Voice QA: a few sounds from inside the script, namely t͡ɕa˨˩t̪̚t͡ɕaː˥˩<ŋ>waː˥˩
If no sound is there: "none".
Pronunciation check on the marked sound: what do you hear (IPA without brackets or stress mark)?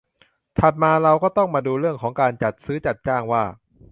ŋ